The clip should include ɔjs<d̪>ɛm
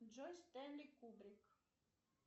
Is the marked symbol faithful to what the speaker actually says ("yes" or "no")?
no